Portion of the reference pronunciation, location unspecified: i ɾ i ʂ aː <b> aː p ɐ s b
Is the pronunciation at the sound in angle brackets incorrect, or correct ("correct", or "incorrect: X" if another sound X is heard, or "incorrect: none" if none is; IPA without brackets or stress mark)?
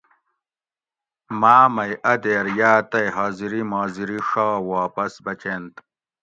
incorrect: w